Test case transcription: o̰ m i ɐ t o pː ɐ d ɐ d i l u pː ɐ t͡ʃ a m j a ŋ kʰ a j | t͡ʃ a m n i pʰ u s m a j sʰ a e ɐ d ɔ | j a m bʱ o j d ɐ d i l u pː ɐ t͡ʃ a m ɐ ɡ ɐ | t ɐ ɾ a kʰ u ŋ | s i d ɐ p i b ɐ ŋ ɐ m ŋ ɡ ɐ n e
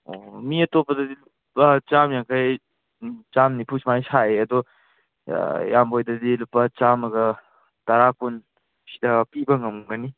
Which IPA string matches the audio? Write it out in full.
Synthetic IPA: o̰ m i ɐ t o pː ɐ d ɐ d i l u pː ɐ t͡ʃ a m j a ŋ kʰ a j | t͡ʃ a m n i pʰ u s m a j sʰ a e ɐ d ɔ | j a m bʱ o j d ɐ d i l u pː ɐ t͡ʃ a m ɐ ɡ ɐ | t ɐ ɾ a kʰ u n | s i d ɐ p i b ɐ ŋ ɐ m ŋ ɡ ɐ n i